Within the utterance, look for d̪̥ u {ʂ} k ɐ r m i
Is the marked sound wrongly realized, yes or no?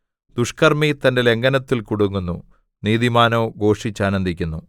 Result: no